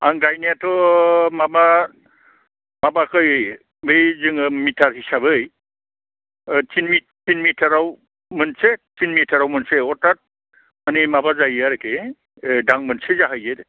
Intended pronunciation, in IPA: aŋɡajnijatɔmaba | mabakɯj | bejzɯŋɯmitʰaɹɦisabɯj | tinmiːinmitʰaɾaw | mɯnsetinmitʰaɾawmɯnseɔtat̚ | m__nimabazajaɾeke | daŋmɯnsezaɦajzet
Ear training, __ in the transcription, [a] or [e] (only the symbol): a